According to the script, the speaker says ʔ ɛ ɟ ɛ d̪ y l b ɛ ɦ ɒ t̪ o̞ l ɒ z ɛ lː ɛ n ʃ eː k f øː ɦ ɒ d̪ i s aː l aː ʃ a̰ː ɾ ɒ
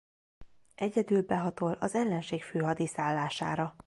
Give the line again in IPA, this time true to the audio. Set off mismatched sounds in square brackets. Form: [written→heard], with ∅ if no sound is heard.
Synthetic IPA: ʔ ɛ ɟ ɛ d̪ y l b ɛ ɦ ɒ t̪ o̞ l ɒ z ɛ lː ɛ n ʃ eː k f øː ɦ ɒ d̪ i s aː [l→lː] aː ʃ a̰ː ɾ ɒ

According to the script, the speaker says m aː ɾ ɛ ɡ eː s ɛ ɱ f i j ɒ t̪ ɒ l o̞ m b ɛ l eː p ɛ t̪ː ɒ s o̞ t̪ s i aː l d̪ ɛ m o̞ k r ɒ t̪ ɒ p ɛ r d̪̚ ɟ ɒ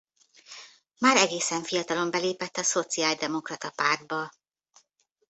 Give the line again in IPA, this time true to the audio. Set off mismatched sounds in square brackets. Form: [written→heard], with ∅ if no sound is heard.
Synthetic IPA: m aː ɾ ɛ ɡ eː s ɛ ɱ f i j ɒ t̪ ɒ l o̞ m b ɛ l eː p ɛ t̪ː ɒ s o̞ t̪ s i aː l d̪ ɛ m o̞ k r ɒ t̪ ɒ p [ɛ→a] r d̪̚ [ɟ→b] ɒ

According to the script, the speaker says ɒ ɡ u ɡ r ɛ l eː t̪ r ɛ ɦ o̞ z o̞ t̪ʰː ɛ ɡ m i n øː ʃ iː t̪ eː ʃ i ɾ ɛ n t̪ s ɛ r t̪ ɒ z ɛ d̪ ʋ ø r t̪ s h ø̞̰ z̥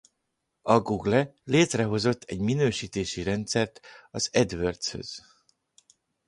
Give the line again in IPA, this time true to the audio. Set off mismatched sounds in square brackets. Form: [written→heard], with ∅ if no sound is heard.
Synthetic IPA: ɒ ɡ u ɡ [r→l] ɛ l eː t̪ r ɛ ɦ o̞ z o̞ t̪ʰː ɛ [ɡ→ɟ] m i n øː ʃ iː t̪ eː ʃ i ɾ ɛ n t̪ s ɛ r t̪ ɒ z ɛ d̪ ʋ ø r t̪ s h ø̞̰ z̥

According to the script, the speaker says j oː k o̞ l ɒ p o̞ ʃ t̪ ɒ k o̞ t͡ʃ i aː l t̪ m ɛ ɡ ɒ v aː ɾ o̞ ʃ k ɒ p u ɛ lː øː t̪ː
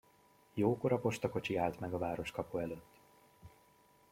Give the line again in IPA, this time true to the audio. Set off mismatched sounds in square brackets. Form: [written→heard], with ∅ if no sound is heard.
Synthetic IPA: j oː k o̞ [l→ɾ] ɒ p o̞ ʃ t̪ ɒ k o̞ t͡ʃ i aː l t̪ m ɛ ɡ ɒ v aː ɾ o̞ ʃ k ɒ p u ɛ [lː→l] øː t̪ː

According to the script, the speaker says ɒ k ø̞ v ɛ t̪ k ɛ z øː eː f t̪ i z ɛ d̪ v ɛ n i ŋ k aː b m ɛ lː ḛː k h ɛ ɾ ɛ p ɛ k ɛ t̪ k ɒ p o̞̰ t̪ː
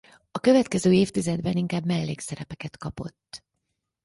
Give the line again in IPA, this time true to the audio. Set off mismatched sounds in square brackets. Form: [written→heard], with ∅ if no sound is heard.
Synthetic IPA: ɒ k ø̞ v ɛ t̪ k ɛ z øː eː f t̪ i z ɛ d̪ [v→b] ɛ n i ŋ k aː b m ɛ lː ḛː k [h→s] ɛ ɾ ɛ p ɛ k ɛ t̪ k ɒ p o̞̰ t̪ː

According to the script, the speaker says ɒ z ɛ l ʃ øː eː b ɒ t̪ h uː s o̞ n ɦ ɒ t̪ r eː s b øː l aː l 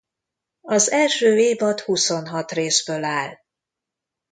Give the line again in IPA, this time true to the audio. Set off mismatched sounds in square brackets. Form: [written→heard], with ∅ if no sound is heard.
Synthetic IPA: ɒ z ɛ l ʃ øː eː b ɒ t̪ h [uː→u] s o̞ n ɦ ɒ t̪ r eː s b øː l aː l

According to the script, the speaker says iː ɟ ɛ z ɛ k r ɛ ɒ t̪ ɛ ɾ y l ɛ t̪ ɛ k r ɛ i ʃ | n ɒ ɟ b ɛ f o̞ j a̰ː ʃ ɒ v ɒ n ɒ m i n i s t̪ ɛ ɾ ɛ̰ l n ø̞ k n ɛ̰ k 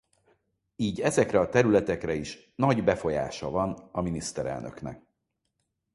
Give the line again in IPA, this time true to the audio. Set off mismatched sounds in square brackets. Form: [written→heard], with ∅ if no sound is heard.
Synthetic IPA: iː ɟ ɛ z ɛ k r ɛ ɒ t̪ ɛ ɾ y l ɛ t̪ ɛ k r ɛ i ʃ | n ɒ ɟ b ɛ f o̞ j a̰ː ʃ ɒ v ɒ n ɒ m i n i s t̪ ɛ ɾ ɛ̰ l n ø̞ k n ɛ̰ k

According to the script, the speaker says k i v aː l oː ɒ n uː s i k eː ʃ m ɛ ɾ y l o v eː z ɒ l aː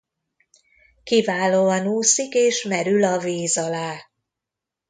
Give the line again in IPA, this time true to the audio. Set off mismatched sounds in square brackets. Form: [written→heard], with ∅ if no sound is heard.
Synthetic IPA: k i v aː l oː ɒ n uː s i k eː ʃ m ɛ ɾ y l [o→ɒ] v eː z ɒ l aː

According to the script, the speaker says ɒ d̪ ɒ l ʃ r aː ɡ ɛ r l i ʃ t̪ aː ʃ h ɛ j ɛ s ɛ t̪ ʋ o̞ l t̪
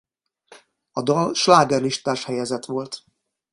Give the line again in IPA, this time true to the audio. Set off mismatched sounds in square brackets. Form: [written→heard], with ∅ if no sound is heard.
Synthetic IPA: ɒ d̪ ɒ l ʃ [r→l] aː ɡ ɛ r l i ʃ t̪ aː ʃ h ɛ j ɛ [s→z] ɛ t̪ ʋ o̞ l t̪

